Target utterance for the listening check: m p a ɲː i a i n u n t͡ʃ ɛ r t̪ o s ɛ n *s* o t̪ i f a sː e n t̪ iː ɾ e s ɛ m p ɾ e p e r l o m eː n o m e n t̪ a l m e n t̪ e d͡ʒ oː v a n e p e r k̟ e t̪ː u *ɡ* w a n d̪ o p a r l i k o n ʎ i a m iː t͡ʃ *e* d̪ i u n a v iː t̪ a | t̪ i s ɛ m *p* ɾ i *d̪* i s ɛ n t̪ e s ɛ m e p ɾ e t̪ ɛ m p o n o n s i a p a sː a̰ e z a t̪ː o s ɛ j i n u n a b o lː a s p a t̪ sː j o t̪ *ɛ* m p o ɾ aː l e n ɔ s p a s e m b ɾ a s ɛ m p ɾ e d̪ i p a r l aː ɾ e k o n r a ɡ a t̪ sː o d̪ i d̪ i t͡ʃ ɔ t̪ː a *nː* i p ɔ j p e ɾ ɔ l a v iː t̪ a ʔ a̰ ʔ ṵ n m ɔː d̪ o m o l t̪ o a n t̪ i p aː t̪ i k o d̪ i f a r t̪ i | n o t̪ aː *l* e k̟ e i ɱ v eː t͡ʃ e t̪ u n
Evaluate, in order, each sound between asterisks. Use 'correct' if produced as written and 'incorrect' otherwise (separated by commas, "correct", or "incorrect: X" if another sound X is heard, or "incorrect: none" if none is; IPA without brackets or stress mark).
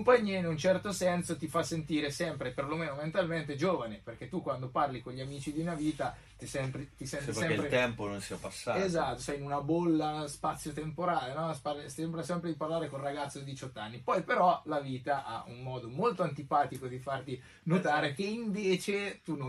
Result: correct, incorrect: k, incorrect: i, correct, incorrect: t̪, incorrect: e, correct, incorrect: ɾ